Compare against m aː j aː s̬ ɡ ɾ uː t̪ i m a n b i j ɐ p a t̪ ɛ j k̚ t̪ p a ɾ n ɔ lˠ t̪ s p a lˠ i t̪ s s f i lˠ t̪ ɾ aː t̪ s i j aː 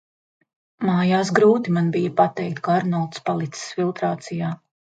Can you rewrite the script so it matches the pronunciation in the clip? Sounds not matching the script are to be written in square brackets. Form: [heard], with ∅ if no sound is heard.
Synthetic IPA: m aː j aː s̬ ɡ ɾ uː t̪ i m a n b i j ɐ p a t̪ ɛ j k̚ t̪ [k] a ɾ n ɔ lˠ t̪ s p a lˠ i t̪ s s f i lˠ t̪ ɾ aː t̪ s i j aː